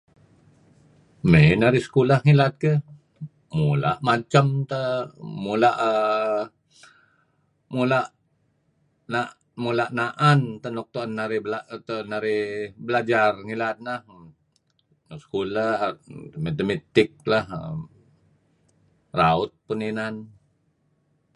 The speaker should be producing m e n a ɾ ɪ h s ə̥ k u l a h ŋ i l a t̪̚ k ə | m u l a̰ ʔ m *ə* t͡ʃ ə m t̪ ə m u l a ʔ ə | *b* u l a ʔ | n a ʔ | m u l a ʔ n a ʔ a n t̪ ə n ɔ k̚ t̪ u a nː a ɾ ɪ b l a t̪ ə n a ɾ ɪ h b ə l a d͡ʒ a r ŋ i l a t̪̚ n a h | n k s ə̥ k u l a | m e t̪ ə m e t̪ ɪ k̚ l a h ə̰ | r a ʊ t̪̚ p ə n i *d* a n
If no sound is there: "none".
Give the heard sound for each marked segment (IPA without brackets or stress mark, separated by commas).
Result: a, m, n